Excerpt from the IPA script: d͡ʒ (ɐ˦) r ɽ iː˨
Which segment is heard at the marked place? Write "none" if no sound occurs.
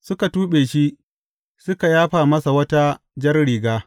ɐ˦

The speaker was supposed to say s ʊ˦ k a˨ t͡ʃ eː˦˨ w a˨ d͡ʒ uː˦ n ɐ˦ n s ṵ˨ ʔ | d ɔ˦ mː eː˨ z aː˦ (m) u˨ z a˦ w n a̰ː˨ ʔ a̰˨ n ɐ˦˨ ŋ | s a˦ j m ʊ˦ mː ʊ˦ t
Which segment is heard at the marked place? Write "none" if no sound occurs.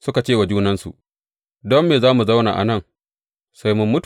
m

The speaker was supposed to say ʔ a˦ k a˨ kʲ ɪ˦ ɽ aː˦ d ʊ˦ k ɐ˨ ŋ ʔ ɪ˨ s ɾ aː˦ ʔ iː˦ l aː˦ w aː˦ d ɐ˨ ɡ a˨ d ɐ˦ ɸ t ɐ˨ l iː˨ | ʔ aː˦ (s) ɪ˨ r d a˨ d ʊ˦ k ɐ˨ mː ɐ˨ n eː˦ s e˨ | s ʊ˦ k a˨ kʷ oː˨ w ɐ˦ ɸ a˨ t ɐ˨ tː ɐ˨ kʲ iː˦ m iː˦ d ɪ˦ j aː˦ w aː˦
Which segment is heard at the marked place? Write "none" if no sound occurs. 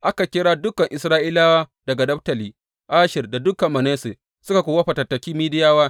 ʃ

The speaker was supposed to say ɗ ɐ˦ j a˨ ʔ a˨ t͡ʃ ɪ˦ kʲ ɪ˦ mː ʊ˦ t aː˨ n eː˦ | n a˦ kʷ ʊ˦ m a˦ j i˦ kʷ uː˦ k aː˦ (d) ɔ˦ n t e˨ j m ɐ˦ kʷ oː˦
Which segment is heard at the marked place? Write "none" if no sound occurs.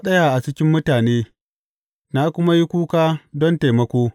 d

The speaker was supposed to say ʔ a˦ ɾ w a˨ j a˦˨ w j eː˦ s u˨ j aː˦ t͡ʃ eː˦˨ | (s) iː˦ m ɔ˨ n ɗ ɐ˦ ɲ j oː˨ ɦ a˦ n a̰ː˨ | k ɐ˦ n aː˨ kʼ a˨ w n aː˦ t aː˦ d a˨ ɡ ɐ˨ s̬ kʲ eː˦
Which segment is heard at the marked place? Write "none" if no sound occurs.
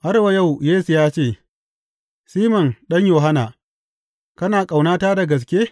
s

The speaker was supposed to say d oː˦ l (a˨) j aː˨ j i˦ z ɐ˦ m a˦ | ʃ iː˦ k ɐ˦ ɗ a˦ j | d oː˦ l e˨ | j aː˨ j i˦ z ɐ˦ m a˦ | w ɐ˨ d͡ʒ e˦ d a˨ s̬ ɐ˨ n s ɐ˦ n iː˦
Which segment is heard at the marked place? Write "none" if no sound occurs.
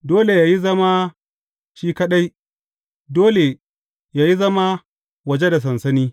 e˨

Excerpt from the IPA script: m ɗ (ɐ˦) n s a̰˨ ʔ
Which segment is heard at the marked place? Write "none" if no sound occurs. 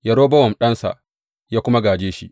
ɐ˦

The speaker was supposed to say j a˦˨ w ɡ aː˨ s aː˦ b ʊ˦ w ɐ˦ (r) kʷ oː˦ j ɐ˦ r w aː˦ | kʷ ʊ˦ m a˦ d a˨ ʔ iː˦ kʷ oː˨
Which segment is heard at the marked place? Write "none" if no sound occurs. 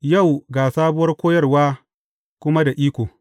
r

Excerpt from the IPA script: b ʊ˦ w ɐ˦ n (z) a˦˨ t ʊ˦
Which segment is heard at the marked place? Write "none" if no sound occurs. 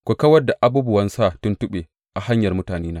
s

